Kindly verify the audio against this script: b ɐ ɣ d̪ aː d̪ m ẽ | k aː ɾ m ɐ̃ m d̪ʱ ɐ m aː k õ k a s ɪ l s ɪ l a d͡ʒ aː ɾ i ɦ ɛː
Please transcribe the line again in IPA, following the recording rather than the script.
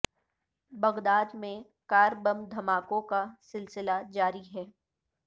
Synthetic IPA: b ɐ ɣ d̪ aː d̪ m ẽ | k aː ɾ b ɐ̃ m d̪ʱ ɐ m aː k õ k a s ɪ l s ɪ l a d͡ʒ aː ɾ i ɦ ɛː